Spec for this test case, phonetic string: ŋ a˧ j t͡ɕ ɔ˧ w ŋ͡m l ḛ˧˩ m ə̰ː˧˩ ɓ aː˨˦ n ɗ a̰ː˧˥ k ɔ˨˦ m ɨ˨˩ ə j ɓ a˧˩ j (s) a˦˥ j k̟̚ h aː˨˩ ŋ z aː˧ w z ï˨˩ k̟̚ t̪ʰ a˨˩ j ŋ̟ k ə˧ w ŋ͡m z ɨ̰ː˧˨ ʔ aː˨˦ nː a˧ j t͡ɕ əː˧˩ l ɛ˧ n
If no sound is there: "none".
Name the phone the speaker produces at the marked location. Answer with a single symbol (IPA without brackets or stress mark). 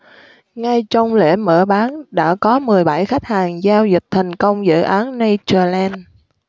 x